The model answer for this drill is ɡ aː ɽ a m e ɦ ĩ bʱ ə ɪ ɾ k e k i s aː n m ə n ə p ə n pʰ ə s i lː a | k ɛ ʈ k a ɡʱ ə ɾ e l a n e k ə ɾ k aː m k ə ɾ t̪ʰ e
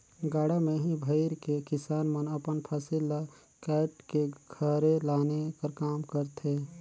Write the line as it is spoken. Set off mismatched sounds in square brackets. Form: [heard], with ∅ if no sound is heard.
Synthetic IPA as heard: ɡ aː ɽ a m e ɦ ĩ bʱ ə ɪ ɾ k e k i s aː n m ə n ə p ə n pʰ ə s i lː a | k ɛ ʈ k [e] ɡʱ ə ɾ e l a n e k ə ɾ k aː m k ə ɾ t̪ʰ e